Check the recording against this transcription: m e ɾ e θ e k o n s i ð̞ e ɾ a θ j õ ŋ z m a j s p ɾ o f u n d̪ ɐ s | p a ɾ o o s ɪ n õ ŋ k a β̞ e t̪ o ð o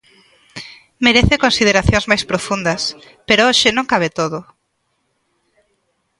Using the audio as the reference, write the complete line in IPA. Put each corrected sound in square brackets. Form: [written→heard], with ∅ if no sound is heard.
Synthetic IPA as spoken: m e ɾ e θ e k o n s i ð̞ e ɾ a θ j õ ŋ z m a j s p ɾ o f u n d̪ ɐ s | p [a→e] ɾ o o [s→ʃ] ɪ n õ ŋ k a β̞ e t̪ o ð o

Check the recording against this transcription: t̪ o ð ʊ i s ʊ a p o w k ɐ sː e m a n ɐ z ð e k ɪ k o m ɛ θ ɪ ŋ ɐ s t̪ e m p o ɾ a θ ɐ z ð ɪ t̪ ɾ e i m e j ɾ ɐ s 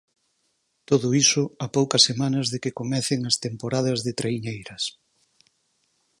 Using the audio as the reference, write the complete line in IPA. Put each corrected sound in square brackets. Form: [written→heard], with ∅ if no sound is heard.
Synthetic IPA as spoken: t̪ o ð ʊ i s ʊ a p o w k ɐ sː e m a n ɐ z ð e k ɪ k o m ɛ θ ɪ ŋ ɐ s t̪ e m p o ɾ a [θ→ð] ɐ z ð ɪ t̪ ɾ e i [m→ɲ] e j ɾ ɐ s

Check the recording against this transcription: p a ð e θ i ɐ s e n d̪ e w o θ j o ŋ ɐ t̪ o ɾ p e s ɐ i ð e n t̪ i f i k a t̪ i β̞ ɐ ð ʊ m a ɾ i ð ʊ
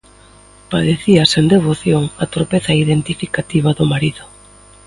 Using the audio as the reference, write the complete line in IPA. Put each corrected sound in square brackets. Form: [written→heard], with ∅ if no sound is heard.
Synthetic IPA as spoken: p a ð e θ i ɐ s e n d̪ e [w→β] o θ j o ŋ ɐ t̪ o ɾ p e [s→θ] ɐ i ð e n t̪ i f i k a t̪ i β̞ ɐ ð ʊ m a ɾ i ð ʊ

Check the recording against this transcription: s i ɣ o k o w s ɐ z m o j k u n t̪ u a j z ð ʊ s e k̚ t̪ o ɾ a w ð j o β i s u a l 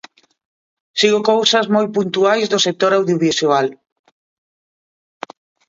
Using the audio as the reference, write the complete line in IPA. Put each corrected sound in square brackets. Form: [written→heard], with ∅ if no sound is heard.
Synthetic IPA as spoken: s i ɣ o k o w s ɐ z m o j [k→p] u n t̪ u a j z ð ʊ s e k̚ t̪ o ɾ a w ð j o β i s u a l

